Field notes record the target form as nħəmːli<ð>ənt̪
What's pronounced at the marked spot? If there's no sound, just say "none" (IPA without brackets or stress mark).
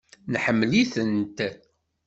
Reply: θ